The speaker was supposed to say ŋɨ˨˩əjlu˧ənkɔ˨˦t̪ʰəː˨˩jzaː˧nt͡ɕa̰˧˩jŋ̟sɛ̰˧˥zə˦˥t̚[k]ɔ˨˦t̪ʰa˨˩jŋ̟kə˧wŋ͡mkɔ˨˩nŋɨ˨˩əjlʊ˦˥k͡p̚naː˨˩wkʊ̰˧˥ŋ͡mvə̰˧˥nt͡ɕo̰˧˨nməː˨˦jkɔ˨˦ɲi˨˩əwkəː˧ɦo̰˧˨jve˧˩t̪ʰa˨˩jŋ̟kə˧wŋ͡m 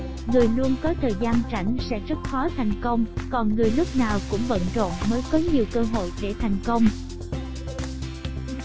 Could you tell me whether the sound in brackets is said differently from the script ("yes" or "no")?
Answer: yes